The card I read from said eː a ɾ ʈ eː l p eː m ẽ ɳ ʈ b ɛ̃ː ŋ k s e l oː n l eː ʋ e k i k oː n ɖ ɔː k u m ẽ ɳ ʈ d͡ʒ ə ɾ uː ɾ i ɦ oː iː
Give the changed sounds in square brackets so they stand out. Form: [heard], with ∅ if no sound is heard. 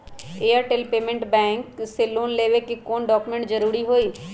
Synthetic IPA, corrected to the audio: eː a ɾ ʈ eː l p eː m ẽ ɳ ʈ b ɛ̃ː ŋ k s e l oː n l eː ʋ e k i k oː n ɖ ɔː k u m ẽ ɳ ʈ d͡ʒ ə ɾ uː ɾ i ɦ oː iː

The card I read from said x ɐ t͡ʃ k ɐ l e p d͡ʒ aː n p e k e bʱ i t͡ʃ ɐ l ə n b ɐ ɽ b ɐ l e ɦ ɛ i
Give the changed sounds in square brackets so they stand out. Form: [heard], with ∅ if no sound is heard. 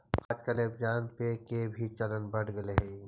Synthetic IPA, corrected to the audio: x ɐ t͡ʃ k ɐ l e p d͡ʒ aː n p e k e bʱ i t͡ʃ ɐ l ə n b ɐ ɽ [ɡ] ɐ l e ɦ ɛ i

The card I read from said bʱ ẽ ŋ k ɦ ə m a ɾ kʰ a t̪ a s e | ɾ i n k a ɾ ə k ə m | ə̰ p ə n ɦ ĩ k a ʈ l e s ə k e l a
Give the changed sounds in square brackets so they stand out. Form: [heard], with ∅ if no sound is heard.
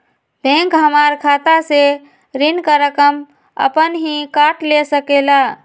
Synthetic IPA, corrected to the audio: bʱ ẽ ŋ k ɦ ə m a ɾ kʰ a t̪ a s e | ɾ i n k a ɾ ə k ə m | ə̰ p ə n ɦ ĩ k a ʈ l e s ə k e l a

